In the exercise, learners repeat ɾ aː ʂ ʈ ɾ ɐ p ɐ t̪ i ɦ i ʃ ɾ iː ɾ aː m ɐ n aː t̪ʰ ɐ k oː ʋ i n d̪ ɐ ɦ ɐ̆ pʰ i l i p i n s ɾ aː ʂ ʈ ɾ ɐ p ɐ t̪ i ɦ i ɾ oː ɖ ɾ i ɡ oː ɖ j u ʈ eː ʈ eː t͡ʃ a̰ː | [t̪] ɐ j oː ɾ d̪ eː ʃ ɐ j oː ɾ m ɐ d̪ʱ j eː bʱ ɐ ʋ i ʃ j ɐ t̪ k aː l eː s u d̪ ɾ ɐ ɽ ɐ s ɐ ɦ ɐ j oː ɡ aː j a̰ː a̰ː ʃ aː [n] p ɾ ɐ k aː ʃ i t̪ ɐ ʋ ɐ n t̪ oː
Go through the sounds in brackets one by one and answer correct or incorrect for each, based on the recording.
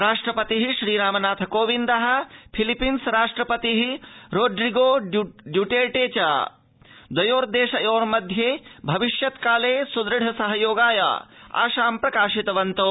incorrect: d̪, incorrect: m

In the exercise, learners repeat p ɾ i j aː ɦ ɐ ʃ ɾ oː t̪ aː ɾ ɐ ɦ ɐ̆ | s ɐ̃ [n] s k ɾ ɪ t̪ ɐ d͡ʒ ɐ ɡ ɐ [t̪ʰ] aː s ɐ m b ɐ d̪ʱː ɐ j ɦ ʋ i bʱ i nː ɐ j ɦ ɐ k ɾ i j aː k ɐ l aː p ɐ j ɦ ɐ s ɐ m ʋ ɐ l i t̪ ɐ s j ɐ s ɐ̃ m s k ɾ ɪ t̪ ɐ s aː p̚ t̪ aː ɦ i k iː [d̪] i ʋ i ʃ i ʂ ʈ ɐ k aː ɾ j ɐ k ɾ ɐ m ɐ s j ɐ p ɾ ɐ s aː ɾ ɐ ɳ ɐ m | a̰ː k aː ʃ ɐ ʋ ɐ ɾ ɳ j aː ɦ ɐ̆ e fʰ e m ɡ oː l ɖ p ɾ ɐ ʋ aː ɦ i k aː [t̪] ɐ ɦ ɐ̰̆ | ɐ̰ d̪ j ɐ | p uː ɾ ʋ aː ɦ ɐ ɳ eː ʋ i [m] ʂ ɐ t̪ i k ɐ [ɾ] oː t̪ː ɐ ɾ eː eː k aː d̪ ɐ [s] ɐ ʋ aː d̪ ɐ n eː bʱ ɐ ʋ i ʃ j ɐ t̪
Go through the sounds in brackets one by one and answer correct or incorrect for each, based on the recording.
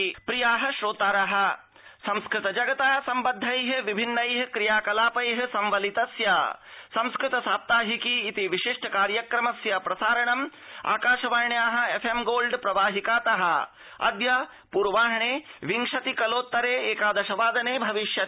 incorrect: m, incorrect: t̪, incorrect: t̪, correct, incorrect: ŋ, incorrect: l, incorrect: ʃ

